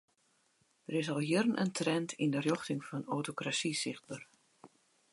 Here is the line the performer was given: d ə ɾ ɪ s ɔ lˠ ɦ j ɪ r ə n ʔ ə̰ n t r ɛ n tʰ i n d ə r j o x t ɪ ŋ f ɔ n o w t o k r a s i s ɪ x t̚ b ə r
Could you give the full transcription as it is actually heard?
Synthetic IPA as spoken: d ə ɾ ɪ s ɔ lˠ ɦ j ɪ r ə n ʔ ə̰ n t r ɛ n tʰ i n d ə r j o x t ɪ ŋ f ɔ n o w t o k r a s i s ɪ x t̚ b ə r